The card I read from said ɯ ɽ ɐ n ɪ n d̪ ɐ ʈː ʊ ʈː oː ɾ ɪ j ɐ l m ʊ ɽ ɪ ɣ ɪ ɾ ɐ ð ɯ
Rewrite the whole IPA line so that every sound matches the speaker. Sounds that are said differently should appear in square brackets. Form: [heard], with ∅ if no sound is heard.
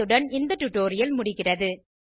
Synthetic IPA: ɯ ɽ ɐ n ɪ n d̪ ɐ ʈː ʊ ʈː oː ɾ ɪ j ɐ l m ʊ ɽ ɪ ɣ ɪ [r] ɐ ð ɯ